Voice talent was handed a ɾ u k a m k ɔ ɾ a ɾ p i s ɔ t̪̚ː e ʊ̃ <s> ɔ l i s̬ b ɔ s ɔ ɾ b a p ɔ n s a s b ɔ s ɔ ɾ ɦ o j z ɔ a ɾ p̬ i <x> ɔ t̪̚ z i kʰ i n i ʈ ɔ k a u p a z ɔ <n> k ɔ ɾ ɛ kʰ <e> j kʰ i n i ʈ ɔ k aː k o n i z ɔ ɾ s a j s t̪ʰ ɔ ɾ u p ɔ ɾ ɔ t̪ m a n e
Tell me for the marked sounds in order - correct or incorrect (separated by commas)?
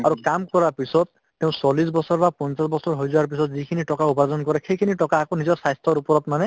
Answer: correct, incorrect, correct, correct